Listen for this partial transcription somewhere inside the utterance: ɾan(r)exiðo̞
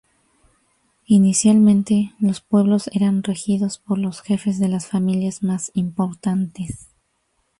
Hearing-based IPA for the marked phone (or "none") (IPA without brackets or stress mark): r